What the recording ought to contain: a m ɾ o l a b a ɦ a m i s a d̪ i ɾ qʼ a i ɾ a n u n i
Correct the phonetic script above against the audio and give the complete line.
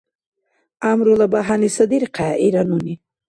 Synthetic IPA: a m ɾ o l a b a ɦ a n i s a d̪ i ɾ q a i ɾ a n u n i